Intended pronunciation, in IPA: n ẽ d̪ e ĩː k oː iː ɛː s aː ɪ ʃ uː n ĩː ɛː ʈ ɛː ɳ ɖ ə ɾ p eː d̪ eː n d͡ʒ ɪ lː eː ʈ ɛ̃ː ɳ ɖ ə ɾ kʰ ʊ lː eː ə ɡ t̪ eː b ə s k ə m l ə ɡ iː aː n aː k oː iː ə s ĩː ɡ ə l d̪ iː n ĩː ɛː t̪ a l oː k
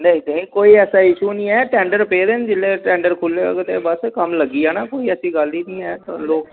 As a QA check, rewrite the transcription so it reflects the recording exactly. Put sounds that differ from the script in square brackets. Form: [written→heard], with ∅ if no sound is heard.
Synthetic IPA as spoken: n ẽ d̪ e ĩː k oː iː ɛː s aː ɪ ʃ uː n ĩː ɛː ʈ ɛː ɳ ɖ ə ɾ p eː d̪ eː n d͡ʒ ɪ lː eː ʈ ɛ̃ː ɳ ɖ ə ɾ kʰ ʊ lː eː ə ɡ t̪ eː b ə s k ə m l ə ɡ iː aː n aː k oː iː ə s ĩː ɡ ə l d̪ iː n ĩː ɛː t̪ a l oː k